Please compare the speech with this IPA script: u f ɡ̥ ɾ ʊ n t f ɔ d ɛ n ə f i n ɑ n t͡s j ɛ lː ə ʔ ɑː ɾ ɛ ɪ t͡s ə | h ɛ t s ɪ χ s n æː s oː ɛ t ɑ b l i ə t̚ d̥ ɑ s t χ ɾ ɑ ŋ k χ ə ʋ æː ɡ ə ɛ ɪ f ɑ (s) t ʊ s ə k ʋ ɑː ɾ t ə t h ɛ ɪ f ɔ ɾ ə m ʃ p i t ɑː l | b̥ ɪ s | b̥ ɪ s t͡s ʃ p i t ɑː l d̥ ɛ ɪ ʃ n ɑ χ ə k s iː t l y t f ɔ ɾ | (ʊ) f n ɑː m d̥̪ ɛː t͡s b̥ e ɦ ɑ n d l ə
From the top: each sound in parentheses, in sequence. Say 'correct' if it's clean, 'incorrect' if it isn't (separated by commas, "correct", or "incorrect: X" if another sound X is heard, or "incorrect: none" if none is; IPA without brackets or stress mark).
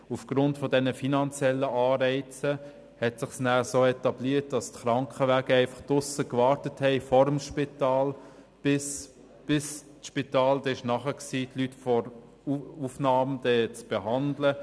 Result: incorrect: χ, incorrect: u